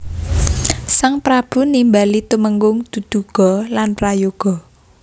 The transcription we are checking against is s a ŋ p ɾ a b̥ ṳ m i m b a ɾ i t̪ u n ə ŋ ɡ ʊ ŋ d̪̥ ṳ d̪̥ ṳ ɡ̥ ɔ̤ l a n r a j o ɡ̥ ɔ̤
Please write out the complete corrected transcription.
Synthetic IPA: s a ŋ p ɾ a b̥ ṳ n i m b a l i t̪ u m ə ŋ ɡ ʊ ŋ d̪̥ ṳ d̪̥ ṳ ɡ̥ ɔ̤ l a n r a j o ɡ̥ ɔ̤